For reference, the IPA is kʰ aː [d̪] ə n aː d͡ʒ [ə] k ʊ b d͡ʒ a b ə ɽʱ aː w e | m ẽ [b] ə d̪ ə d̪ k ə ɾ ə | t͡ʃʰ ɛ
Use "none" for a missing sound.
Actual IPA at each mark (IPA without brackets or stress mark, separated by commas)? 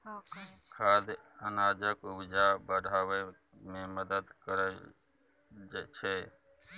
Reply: d̪, ə, m